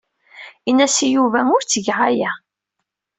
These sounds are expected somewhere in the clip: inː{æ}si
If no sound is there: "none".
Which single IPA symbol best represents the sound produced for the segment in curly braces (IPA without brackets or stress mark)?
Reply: æ